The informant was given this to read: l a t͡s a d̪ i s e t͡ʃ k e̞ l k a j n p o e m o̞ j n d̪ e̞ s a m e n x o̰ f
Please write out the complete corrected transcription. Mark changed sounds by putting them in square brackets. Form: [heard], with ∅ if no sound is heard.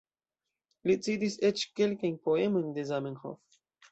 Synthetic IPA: l [i] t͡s [i] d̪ i s e t͡ʃ k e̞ l k a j n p o e m o̞ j n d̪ e̞ [z] a m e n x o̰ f